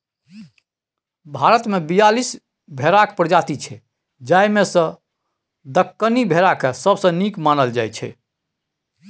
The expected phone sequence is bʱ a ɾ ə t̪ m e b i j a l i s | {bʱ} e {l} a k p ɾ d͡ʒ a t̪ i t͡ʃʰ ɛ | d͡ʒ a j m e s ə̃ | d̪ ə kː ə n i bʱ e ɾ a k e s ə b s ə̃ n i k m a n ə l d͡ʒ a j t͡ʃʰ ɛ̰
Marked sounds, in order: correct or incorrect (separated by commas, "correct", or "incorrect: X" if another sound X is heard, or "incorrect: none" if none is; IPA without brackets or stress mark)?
correct, incorrect: ɾ